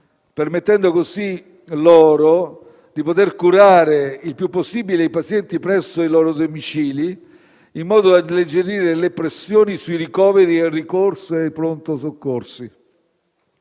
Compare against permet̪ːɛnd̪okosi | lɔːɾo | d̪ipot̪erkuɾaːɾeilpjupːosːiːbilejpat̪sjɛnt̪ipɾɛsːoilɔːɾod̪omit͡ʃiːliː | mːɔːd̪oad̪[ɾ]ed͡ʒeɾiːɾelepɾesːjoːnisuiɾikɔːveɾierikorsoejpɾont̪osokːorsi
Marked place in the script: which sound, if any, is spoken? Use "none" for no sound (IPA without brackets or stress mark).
l